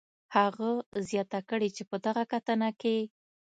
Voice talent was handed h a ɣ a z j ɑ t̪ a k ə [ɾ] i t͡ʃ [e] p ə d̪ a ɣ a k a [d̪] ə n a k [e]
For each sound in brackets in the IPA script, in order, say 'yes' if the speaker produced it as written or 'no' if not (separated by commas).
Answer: no, yes, no, yes